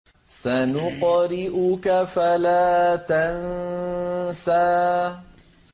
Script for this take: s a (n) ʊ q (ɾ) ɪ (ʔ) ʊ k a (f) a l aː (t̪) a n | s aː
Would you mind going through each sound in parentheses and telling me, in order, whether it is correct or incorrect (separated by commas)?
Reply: correct, correct, correct, correct, correct